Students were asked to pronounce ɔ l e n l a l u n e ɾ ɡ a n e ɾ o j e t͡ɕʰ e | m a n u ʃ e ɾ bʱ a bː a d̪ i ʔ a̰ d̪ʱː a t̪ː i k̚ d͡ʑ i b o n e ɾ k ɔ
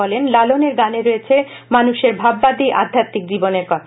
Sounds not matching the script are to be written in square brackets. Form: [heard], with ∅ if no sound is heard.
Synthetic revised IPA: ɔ l e n l a l [o] n e ɾ ɡ a n e ɾ o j e t͡ɕʰ e | m a n u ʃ e ɾ bʱ a bː a d̪ i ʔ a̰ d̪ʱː a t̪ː i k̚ d͡ʑ i b o n e ɾ k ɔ